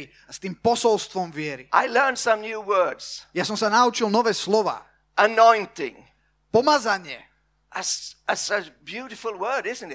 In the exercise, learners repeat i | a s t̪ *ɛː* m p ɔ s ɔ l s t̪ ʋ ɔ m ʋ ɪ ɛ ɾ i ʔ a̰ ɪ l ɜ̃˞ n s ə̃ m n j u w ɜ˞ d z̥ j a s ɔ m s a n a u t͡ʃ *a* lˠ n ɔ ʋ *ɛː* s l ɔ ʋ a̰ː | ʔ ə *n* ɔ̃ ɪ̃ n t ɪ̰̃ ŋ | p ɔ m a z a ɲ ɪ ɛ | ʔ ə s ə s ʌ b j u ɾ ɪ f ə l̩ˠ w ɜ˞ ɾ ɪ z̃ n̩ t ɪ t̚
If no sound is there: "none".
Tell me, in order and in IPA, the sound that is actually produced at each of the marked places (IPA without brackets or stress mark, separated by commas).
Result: iː, i, ɛː, n